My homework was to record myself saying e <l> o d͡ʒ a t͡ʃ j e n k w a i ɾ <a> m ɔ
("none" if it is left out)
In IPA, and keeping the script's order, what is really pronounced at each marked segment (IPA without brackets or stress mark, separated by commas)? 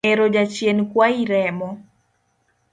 ɾ, ɛ